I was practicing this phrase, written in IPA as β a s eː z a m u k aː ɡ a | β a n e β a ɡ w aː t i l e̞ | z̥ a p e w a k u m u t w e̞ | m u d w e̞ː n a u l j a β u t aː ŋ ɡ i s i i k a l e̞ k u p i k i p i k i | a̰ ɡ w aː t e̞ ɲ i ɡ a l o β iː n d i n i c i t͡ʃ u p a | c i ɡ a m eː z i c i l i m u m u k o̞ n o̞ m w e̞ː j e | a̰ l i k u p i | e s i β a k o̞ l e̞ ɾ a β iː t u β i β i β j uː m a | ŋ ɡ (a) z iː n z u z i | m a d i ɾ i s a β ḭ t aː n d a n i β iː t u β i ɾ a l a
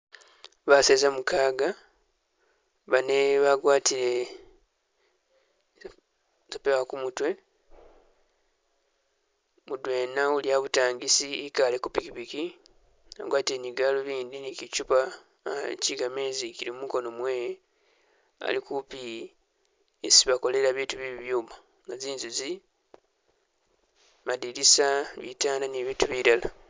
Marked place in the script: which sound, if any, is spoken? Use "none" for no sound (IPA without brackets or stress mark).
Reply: a